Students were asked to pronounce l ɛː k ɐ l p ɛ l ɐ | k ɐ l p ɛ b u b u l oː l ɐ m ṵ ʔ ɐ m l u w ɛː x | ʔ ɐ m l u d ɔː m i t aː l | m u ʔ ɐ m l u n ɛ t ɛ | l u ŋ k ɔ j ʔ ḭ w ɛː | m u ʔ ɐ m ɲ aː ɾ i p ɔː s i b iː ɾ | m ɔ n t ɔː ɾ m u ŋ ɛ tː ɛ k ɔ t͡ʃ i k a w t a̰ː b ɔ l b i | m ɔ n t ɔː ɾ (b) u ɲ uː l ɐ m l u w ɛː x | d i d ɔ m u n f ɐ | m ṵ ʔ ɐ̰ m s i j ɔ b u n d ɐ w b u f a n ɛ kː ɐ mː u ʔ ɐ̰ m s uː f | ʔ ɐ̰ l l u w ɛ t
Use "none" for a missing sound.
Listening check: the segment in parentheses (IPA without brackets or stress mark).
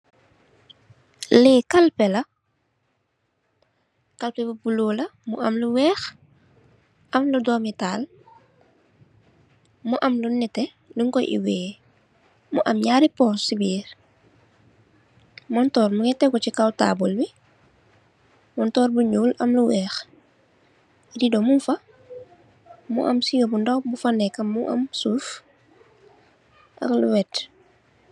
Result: b